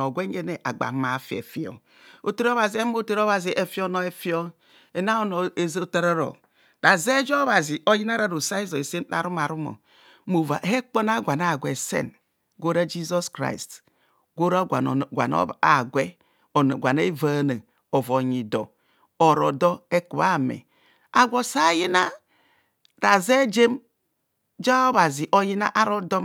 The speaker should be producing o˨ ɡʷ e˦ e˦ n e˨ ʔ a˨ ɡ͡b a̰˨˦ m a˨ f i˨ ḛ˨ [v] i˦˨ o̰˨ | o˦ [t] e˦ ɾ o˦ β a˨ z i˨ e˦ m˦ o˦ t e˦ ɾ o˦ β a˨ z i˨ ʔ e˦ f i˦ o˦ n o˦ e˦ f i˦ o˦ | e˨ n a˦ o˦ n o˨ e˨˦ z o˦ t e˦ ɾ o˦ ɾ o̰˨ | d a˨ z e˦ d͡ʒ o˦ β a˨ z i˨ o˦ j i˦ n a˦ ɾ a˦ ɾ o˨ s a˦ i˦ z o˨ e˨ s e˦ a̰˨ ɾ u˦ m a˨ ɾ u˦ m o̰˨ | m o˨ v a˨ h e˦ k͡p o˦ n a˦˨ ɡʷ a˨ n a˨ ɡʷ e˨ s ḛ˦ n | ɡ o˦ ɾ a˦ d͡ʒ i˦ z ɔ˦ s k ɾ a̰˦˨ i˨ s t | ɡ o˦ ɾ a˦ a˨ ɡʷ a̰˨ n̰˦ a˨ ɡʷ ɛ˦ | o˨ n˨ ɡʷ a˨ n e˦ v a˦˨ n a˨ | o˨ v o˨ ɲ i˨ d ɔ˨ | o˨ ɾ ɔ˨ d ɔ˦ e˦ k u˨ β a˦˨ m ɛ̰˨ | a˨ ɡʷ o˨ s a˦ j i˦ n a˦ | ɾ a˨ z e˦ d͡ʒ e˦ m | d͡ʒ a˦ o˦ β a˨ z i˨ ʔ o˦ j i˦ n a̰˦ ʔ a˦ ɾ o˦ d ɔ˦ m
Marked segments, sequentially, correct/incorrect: incorrect: f, correct

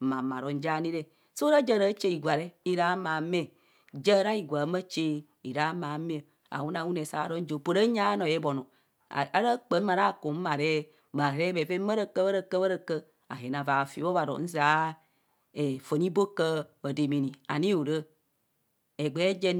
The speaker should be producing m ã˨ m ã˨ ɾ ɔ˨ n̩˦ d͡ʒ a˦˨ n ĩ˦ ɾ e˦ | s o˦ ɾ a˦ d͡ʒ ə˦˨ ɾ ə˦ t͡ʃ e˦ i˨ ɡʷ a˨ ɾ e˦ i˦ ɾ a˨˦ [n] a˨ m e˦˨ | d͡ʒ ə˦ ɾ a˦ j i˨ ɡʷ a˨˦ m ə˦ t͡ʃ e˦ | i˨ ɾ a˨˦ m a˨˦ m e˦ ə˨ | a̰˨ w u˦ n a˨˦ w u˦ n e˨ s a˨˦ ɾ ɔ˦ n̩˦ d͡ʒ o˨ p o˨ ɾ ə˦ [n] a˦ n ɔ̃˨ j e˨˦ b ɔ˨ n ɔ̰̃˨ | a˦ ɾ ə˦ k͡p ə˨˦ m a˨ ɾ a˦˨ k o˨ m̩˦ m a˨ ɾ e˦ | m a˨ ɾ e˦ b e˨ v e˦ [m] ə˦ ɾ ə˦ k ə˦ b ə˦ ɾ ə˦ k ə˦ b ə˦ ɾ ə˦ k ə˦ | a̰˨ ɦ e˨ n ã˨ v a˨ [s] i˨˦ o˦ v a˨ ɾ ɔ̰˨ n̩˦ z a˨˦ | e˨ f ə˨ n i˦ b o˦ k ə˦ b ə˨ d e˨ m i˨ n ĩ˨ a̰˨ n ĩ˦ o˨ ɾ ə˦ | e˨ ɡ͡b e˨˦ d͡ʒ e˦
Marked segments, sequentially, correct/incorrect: incorrect: m, incorrect: ɲ, correct, incorrect: f

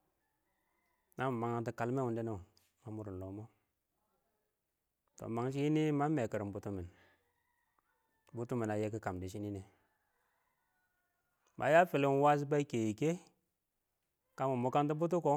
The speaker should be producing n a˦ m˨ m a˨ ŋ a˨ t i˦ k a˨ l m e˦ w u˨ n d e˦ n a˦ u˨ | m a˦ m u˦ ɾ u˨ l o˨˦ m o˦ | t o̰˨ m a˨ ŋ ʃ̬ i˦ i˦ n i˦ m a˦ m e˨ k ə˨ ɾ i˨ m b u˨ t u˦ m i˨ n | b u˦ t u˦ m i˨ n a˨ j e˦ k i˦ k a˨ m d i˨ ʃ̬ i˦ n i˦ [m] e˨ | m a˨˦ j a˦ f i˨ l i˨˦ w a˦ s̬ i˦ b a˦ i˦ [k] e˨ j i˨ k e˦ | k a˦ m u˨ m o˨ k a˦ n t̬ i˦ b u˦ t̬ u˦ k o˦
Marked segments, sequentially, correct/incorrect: incorrect: n, correct

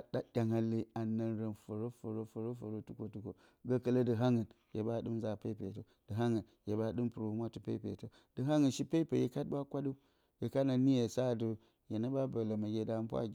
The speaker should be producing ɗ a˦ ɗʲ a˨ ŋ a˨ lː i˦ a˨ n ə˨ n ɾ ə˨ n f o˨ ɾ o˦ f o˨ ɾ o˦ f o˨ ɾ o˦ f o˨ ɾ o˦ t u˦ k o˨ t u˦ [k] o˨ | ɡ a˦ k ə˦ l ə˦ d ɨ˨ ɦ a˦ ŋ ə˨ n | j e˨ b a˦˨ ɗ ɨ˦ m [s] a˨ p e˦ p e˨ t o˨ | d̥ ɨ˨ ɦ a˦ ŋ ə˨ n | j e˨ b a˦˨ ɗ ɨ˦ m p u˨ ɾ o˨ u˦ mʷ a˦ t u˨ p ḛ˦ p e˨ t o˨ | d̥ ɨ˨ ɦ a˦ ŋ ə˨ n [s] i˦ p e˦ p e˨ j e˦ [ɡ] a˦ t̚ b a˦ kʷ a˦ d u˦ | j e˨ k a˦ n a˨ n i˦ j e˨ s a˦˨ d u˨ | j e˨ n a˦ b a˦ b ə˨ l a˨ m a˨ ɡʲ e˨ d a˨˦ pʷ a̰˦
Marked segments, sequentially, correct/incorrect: correct, incorrect: z, incorrect: ʃ, incorrect: k

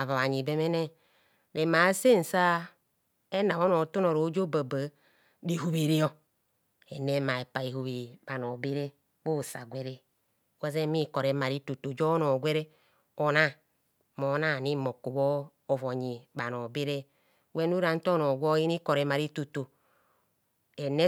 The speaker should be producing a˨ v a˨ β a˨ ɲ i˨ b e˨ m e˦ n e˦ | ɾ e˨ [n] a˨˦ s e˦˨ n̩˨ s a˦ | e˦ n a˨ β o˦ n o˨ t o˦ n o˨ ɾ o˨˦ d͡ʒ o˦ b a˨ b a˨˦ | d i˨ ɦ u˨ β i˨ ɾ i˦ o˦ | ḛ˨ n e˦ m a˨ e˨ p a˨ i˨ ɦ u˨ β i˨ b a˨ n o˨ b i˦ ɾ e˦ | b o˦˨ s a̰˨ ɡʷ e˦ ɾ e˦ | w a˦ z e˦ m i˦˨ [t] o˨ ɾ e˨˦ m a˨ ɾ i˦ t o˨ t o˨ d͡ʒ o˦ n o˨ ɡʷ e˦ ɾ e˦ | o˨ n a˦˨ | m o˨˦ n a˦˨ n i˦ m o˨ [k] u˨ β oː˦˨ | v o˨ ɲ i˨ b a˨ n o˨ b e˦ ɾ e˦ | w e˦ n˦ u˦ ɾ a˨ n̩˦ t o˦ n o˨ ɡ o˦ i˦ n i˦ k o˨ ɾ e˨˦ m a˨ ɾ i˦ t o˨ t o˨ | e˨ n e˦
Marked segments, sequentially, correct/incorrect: incorrect: m, incorrect: k, correct

